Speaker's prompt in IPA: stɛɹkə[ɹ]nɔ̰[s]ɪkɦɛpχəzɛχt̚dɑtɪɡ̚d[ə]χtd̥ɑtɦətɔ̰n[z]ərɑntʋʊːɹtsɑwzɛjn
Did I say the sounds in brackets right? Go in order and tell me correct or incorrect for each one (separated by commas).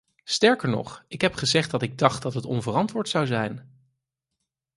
correct, incorrect, incorrect, incorrect